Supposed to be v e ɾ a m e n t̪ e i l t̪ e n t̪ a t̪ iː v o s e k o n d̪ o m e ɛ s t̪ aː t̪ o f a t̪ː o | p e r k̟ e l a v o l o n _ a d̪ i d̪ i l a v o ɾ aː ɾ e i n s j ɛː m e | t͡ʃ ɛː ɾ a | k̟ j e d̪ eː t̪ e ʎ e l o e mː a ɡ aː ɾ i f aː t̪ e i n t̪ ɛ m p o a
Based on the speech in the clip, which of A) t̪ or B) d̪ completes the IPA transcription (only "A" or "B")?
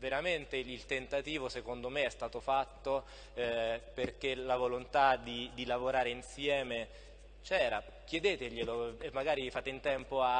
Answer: A